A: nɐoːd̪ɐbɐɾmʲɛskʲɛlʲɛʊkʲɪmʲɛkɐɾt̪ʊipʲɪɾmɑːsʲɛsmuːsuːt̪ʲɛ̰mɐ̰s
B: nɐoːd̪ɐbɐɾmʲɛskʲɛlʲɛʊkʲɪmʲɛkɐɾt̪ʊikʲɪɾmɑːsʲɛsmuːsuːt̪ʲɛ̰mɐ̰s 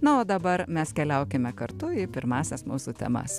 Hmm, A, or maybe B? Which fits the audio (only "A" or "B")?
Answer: A